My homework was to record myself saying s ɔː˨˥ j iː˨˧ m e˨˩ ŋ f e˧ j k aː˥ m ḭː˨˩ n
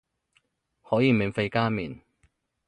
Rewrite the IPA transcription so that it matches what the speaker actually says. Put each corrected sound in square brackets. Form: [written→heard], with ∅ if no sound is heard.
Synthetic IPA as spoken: [s→h] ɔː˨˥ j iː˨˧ m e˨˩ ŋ f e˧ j k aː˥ m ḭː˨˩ n